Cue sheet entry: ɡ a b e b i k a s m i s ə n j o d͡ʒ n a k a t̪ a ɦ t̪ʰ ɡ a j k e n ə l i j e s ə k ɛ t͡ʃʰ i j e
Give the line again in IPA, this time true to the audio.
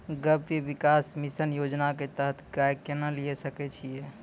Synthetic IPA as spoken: ɡ ə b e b i k a s m i s ə n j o d͡ʒ n a k e t̪ ə ɦ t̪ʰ ɡ a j k e n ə l i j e s ə k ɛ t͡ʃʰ i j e